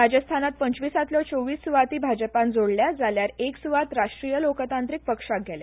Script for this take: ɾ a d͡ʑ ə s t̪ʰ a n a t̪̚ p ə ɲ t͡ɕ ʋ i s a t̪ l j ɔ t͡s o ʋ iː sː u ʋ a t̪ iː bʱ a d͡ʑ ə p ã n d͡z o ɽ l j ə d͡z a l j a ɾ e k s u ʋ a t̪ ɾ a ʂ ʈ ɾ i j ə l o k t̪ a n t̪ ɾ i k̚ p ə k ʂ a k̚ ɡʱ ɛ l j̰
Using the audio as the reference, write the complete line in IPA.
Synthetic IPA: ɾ a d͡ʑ ə s t̪ʰ a n a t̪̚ p ə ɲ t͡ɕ ʋ i s a t̪ l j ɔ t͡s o ʋ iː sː u ʋ a t̪ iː bʱ a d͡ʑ ə p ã n d͡z o ɽ l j a d͡z a l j a ɾ e k s u ʋ a t̪ ɾ a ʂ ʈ ɾ i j ə l o k t̪ a n t̪ ɾ i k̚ p ə k ʂ a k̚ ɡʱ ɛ l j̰